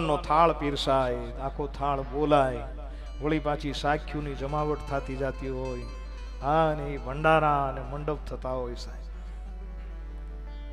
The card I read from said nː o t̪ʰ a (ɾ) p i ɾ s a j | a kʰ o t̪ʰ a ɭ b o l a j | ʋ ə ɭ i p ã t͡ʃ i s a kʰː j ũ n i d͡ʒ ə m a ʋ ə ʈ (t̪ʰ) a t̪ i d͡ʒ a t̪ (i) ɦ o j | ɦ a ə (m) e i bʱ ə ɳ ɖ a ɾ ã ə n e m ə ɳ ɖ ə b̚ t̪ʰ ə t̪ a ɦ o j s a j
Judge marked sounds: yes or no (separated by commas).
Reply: no, yes, yes, no